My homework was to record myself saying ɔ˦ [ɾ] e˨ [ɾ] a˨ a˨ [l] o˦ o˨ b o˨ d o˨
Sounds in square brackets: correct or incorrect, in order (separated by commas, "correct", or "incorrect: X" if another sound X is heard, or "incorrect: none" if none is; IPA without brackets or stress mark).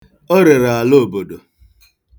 correct, correct, correct